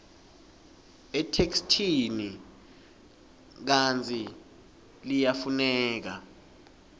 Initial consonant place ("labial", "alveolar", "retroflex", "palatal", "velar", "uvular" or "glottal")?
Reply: alveolar